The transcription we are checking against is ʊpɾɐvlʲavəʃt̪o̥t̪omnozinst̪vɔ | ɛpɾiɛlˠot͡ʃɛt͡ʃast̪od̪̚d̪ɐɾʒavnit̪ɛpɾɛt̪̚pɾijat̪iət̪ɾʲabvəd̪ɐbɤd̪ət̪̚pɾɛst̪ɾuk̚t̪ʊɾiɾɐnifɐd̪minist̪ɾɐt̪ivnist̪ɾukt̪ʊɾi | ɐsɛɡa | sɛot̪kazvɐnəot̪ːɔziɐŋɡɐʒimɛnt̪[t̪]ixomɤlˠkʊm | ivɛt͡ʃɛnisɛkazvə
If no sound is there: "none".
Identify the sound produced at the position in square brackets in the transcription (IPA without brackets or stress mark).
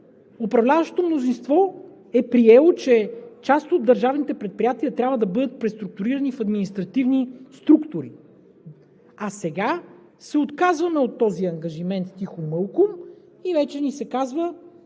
t̪